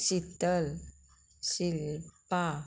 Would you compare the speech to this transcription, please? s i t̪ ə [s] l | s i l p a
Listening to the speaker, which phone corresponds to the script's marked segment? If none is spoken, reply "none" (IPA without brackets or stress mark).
none